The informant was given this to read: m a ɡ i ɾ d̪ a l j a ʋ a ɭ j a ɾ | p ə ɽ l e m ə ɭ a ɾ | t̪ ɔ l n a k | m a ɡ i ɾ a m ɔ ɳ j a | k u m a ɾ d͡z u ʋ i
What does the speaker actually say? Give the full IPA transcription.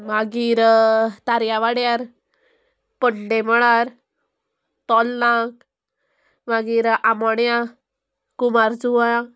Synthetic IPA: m a ɡ i ɾ t̪ a ɾ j a ʋ a ɽ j a ɾ | p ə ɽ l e m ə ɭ a ɾ | t̪ ɔ l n a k | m a ɡ i ɾ a m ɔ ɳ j a | k u m a ɾ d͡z u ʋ a